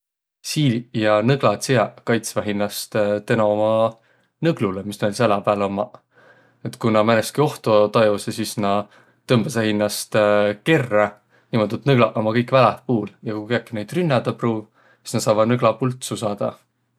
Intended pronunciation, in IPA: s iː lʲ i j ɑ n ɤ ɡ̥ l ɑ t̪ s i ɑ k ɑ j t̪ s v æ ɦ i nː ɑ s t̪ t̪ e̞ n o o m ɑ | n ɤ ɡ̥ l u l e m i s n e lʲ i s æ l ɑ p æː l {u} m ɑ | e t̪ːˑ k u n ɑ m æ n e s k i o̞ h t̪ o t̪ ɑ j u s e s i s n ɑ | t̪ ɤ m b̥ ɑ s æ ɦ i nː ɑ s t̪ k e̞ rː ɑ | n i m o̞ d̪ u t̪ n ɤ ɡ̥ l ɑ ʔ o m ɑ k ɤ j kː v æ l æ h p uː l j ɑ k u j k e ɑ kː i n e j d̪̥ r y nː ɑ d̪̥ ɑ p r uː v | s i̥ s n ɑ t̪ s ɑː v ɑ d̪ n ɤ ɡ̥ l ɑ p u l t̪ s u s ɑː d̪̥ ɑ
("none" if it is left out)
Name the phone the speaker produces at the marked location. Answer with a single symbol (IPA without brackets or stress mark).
o